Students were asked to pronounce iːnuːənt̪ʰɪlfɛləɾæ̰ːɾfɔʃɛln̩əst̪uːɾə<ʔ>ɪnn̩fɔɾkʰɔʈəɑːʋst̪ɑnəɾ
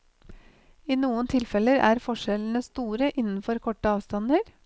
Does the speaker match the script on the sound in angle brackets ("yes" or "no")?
yes